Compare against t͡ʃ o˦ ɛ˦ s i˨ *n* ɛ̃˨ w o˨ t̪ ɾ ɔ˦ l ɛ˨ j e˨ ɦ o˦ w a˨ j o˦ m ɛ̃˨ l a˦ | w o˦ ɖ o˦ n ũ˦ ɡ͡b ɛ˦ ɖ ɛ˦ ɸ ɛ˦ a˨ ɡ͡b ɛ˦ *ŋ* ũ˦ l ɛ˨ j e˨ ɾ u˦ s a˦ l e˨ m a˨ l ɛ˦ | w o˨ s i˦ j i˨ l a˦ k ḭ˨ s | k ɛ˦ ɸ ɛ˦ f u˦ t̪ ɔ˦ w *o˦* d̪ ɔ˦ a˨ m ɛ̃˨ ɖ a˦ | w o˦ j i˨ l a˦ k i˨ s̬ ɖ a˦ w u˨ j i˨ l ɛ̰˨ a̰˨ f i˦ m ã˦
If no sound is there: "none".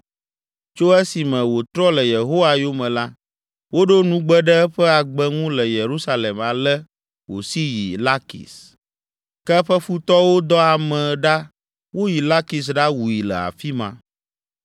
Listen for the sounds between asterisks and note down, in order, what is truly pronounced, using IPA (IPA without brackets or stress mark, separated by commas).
m, ŋ, o˦